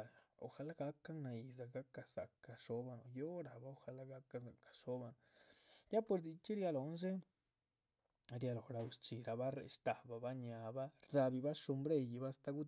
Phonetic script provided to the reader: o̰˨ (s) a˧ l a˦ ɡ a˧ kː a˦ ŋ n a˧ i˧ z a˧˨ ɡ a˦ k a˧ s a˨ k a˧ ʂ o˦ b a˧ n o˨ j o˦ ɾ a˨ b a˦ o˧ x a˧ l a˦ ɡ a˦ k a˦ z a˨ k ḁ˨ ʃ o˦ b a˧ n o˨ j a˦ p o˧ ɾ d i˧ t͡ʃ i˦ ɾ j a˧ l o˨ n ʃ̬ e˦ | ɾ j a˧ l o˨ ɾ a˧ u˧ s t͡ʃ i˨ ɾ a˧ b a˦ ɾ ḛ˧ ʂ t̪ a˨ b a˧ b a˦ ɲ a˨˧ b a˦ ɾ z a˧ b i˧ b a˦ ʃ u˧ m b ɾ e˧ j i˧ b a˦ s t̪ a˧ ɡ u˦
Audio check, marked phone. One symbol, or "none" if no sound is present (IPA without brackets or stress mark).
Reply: x